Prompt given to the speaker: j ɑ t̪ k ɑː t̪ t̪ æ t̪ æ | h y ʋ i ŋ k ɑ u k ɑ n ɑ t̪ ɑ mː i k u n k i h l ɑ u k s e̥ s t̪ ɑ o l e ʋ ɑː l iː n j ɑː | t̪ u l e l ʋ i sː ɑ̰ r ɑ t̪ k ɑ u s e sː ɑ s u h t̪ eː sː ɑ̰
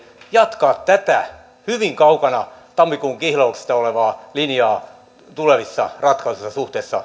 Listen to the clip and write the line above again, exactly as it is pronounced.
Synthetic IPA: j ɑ t̪ k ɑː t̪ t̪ æ t̪ æ | h y ʋ i ŋ k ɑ u k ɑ n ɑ t̪ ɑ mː i k u ŋ k i h l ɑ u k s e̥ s t̪ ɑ o l e ʋ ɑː l i n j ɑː | t̪ u l e ʋ i sː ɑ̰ r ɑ t̪ k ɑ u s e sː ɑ s u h t̪ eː sː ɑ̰